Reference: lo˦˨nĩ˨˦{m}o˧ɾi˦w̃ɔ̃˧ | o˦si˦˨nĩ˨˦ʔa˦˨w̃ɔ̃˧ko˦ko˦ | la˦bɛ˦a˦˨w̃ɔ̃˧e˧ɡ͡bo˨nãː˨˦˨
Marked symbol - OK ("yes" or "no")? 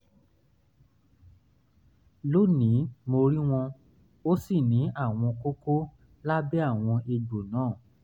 yes